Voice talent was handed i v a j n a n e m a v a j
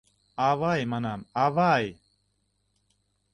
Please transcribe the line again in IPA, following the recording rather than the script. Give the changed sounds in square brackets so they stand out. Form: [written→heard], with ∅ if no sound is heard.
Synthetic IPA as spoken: [i→a] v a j [n→m] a n [e→a] m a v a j

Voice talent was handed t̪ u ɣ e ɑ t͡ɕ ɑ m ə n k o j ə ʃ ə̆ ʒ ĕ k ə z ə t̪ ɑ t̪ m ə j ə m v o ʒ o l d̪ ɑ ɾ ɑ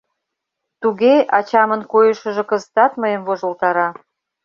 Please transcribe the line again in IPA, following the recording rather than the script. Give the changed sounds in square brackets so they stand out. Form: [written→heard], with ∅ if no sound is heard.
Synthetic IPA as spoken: t̪ u ɣ e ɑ t͡ɕ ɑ m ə n k o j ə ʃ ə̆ ʒ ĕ k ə z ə t̪ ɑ t̪ m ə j ə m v o ʒ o l [d̪→t̪] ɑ ɾ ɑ

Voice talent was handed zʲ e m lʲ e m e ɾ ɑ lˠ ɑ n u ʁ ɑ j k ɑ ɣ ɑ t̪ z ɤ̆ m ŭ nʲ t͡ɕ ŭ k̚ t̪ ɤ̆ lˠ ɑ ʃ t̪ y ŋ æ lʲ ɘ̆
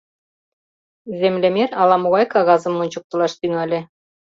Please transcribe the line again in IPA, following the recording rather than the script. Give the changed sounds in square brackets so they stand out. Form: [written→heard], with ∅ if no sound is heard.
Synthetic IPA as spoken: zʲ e m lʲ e m e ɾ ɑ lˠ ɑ [n→m] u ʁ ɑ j k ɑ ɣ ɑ [t̪→∅] z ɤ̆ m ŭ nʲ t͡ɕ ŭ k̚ t̪ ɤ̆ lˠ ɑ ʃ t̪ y ŋ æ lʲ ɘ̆

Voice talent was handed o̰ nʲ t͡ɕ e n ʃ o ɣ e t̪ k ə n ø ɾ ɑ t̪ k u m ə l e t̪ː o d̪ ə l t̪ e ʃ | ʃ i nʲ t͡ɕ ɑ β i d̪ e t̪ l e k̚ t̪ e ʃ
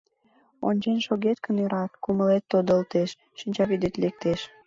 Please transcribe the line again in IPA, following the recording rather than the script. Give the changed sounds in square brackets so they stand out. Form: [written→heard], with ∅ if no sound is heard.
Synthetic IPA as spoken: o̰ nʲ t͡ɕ e n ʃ o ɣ e t̪ k ə n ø ɾ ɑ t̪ k u m ə l e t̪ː o d̪ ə l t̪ e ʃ | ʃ i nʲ t͡ɕ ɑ β i d̪ e t̪ l e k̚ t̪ e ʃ

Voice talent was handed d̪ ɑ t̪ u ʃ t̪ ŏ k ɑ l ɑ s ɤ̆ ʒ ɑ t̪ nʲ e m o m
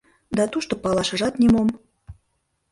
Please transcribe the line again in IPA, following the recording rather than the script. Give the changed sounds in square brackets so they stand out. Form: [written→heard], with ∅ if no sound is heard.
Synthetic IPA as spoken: d̪ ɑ t̪ u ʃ t̪ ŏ [k→p] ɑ l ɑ [s→ʃ] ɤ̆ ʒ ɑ t̪ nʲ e m o m

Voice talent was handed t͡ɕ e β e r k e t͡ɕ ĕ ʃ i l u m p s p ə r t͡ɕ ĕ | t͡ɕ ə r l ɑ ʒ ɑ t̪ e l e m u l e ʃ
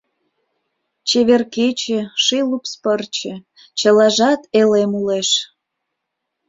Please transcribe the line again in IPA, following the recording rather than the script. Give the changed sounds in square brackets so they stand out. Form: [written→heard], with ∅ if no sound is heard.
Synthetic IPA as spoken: t͡ɕ e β e r k e t͡ɕ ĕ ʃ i l u [m→∅] p s p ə r t͡ɕ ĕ | t͡ɕ ə [r→∅] l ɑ ʒ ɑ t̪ e l e m u l e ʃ

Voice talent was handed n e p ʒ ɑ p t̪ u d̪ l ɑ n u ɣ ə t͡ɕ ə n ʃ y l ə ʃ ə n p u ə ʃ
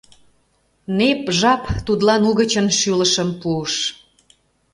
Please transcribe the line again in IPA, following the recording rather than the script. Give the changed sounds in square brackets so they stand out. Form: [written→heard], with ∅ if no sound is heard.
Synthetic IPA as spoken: n e p ʒ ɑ p t̪ u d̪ l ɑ n u ɣ ə t͡ɕ ə n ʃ y l ə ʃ ə [n→m] p u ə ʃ

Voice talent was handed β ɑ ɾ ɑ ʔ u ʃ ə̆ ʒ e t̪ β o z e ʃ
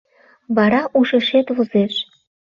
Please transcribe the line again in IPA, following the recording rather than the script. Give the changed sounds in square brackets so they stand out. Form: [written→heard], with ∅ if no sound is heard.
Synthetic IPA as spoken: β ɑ ɾ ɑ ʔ u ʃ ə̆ [ʒ→ʃ] e t̪ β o z e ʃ

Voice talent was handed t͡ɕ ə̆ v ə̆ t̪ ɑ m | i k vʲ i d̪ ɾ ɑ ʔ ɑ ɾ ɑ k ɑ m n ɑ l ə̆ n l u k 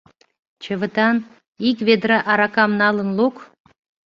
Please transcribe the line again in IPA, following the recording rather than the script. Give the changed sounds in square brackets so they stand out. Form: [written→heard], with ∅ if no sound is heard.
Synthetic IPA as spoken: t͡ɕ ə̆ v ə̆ t̪ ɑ [m→n] | i k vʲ [i→e] d̪ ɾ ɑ ʔ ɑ ɾ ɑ k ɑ m n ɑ l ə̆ n l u k

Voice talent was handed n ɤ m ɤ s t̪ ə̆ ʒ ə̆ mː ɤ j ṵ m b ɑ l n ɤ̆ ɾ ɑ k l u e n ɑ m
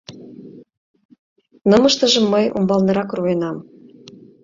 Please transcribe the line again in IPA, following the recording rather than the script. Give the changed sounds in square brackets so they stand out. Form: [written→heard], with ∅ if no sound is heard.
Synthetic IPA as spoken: n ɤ m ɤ [s→ʃ] t̪ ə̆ ʒ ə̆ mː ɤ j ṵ m b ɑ l n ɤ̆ ɾ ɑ k [l→r] u e n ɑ m

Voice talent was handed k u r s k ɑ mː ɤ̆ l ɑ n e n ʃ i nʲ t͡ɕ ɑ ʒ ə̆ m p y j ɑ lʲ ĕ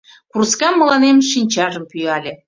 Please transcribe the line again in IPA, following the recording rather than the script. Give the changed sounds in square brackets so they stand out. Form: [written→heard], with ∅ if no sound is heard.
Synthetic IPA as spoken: k u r s k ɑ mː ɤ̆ l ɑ n e [n→m] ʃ i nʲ t͡ɕ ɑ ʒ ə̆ m p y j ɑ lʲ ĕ

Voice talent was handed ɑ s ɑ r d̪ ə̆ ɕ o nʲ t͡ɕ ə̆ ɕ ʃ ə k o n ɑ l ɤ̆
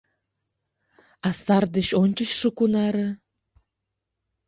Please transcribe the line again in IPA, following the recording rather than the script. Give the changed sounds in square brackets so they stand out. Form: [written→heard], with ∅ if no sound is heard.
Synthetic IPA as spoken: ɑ s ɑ r d̪ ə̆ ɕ o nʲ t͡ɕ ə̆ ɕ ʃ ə k [o→u] n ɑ [l→ɾ] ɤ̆

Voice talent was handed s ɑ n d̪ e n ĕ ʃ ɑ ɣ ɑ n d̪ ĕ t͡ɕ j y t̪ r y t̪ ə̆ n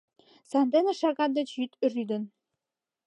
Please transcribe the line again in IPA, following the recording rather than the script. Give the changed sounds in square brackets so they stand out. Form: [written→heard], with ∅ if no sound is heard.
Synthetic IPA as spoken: s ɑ n d̪ e n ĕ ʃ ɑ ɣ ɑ n d̪ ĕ t͡ɕ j y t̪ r y [t̪→d̪] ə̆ n

